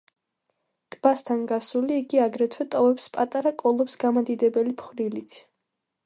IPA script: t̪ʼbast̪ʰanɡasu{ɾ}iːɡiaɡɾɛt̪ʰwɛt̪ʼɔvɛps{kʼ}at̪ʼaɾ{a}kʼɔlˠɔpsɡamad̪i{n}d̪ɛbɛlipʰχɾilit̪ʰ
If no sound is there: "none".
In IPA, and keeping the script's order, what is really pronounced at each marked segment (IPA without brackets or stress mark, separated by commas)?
l, pʼ, a, none